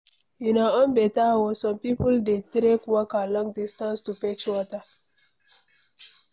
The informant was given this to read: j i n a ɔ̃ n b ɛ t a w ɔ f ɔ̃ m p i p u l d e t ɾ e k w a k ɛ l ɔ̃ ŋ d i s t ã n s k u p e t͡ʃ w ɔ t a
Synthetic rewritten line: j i n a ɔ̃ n b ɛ t a w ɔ s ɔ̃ m p i p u l d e t ɾ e k w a k a l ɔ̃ ŋ d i s t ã n s t u p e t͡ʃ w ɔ t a